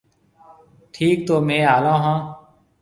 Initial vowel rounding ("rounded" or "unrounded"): unrounded